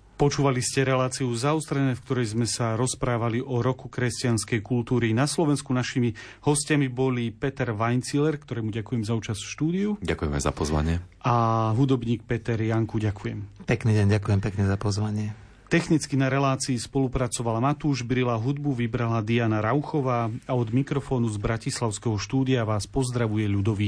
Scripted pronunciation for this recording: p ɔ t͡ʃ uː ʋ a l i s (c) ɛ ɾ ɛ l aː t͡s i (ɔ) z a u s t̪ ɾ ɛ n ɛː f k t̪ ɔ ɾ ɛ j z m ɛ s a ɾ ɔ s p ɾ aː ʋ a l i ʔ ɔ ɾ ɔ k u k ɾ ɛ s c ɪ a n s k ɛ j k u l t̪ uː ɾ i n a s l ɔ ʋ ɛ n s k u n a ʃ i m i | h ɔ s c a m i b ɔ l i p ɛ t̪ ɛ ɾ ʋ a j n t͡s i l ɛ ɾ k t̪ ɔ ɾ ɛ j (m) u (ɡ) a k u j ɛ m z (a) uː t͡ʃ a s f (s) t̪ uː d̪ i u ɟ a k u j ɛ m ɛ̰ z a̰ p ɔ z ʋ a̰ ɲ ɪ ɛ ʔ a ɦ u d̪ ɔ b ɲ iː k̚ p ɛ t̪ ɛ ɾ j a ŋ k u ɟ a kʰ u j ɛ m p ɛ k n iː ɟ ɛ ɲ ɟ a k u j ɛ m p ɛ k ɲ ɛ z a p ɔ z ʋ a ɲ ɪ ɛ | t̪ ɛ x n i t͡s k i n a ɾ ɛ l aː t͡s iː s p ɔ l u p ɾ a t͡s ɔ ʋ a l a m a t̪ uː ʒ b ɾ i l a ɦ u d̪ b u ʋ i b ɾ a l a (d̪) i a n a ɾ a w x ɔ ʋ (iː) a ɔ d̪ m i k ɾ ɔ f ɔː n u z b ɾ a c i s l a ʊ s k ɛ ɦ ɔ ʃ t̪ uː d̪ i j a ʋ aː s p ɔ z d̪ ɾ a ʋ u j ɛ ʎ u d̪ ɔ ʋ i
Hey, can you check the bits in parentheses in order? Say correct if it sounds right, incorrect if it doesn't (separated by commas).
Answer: correct, incorrect, correct, incorrect, correct, incorrect, correct, incorrect